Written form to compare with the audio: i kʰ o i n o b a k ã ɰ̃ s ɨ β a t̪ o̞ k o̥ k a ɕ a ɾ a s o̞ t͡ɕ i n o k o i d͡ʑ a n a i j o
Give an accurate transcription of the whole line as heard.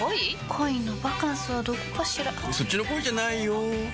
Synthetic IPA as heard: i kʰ o i n o b a k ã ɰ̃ s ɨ β a d̪ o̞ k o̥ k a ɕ i ɾ a s o̞ t͡ɕ i n o k o i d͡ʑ a n a i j o